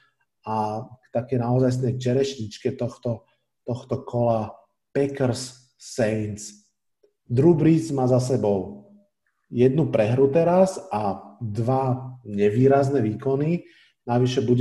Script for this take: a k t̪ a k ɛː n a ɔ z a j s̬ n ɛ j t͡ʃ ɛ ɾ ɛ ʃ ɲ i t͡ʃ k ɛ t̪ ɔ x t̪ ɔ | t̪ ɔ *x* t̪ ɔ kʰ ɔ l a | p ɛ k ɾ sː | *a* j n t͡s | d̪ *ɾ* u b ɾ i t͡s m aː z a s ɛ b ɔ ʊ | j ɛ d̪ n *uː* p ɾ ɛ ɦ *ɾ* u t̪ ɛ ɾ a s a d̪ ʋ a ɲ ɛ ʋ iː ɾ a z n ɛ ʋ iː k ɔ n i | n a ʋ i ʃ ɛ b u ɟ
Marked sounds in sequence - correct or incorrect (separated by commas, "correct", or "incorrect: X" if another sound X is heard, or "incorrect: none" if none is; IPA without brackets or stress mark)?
correct, incorrect: ɛ, correct, incorrect: u, correct